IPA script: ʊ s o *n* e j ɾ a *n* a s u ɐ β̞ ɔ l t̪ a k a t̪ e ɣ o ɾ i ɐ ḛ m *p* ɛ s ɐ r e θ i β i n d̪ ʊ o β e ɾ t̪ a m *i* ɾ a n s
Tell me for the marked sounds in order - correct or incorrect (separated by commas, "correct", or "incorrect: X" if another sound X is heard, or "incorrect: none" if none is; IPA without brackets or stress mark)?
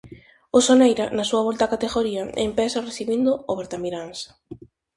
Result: correct, correct, correct, correct